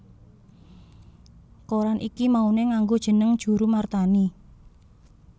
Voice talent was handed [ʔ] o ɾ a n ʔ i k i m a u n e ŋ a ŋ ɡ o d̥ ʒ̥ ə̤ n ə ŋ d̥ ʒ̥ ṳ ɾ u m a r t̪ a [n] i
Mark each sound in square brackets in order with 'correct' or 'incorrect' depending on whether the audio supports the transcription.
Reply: incorrect: k, correct

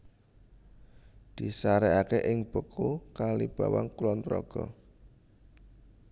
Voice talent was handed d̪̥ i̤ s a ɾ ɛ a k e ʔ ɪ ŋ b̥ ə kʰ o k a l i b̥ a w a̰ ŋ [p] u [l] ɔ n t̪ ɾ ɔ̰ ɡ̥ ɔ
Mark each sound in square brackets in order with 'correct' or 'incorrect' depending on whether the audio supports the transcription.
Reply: incorrect: k, correct

